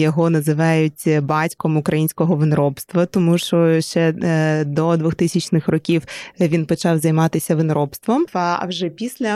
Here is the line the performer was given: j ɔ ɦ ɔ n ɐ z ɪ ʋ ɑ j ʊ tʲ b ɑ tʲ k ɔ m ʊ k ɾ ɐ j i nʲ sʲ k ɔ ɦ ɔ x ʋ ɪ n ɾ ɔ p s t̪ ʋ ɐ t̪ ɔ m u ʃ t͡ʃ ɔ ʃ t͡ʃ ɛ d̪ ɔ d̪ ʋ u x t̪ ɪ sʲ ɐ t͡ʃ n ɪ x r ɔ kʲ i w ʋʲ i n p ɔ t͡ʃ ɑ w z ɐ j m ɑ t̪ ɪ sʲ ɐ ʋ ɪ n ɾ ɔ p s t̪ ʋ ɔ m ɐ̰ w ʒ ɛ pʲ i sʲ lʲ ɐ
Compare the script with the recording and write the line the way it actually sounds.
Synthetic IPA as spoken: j ɔ ɦ ɔ n ɐ z ɪ ʋ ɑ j ʊ tʲ b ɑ tʲ k ɔ m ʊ k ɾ ɐ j i nʲ sʲ k ɔ ɦ ɔ ʋ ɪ n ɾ ɔ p s t̪ ʋ ɐ t̪ ɔ m u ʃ t͡ʃ ɔ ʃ t͡ʃ ɛ d̪ ɔ d̪ ʋ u x t̪ ɪ sʲ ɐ t͡ʃ n ɪ x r ɔ kʲ i w ʋʲ i n p ɔ t͡ʃ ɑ w z ɐ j m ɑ t̪ ɪ sʲ ɐ ʋ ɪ n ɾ ɔ p s t̪ ʋ ɔ m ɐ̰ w ʒ ɛ pʲ i sʲ lʲ ɐ